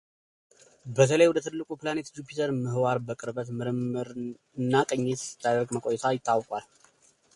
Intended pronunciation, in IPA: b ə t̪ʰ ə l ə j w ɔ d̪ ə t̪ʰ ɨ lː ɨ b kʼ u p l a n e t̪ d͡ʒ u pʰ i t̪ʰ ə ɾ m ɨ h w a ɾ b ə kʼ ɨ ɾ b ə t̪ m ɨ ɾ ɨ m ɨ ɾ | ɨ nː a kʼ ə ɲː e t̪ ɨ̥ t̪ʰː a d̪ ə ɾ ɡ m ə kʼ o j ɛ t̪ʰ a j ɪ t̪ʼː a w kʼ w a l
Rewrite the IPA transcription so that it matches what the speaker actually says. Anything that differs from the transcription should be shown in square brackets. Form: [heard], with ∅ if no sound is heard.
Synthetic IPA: b ə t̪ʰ ə l ə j w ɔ d̪ ə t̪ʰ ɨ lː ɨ [∅] kʼ u p l a n e t̪ d͡ʒ u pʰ i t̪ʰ ə ɾ m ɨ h w a ɾ b ə kʼ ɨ ɾ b ə t̪ m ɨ ɾ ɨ m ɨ ɾ | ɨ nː a kʼ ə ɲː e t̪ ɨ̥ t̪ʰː a d̪ ə ɾ ɡ m ə kʼ o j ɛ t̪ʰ a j ɪ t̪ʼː a w kʼ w a l